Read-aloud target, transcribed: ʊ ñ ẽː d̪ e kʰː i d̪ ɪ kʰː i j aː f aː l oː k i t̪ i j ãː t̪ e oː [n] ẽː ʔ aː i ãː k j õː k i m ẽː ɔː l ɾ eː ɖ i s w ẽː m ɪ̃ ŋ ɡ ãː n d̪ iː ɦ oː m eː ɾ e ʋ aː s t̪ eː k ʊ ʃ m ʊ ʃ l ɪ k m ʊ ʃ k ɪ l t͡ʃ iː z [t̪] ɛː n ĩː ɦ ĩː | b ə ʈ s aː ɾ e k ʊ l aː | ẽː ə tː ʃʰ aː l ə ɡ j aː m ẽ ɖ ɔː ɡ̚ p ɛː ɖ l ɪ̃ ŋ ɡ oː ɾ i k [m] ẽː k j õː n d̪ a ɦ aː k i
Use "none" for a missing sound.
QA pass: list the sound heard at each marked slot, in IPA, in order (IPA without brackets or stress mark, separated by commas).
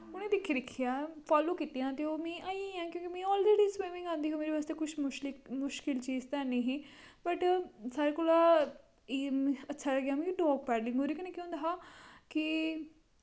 m, t̪, n